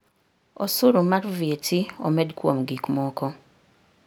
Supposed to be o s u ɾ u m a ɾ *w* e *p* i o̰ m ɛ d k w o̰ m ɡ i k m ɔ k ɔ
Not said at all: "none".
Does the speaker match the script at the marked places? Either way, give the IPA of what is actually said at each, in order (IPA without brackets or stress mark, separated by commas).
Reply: v, t